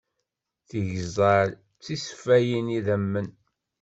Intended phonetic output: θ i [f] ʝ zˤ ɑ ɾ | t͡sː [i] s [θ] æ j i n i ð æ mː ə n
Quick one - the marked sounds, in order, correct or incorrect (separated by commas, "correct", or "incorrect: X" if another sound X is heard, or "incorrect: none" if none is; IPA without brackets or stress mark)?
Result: incorrect: none, correct, incorrect: f